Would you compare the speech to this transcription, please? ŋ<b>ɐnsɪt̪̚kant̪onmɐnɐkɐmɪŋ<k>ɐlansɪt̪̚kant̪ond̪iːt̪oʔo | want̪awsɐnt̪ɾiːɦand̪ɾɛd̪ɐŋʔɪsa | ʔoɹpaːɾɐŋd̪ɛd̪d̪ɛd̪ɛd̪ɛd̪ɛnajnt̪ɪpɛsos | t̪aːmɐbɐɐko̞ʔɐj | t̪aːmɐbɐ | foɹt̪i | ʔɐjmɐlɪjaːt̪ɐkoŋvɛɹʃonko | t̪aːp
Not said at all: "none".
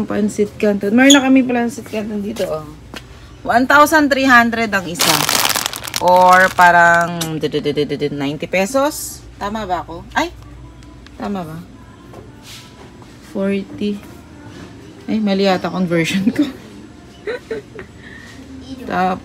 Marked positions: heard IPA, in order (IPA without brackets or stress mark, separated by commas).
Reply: p, p